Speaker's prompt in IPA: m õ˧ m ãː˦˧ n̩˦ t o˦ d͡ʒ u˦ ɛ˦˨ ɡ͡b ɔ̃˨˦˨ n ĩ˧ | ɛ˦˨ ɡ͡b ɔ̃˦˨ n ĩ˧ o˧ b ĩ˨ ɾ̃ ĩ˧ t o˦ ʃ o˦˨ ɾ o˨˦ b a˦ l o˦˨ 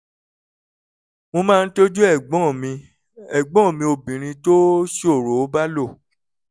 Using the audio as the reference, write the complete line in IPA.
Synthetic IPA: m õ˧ m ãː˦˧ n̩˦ t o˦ d͡ʒ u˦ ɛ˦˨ ɡ͡b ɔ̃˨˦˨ m ĩ˧ | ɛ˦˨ ɡ͡b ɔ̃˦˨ m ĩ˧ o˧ b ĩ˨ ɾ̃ ĩ˧ t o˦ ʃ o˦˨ ɾ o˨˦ b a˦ l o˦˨